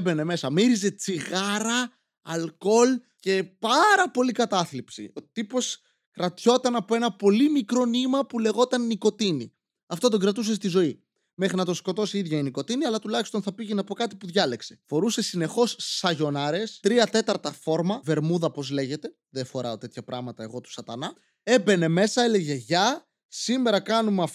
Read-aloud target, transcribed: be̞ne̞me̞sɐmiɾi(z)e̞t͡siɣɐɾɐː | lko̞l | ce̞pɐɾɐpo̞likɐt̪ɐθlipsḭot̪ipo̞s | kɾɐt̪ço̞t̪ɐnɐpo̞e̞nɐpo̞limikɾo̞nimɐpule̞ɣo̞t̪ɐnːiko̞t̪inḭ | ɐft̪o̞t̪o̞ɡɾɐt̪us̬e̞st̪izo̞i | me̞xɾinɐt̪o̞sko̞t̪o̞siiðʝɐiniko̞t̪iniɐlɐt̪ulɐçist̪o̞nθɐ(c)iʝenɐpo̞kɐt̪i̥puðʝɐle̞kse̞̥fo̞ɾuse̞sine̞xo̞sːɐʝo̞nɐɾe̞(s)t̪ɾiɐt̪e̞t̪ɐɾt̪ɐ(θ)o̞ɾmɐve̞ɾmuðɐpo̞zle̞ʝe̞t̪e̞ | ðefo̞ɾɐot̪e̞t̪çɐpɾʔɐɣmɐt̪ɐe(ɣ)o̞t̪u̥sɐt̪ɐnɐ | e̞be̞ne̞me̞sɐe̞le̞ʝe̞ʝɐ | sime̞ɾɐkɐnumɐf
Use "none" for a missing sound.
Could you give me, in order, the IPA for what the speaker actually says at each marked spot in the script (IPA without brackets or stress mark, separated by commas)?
z, p, s, f, ɣ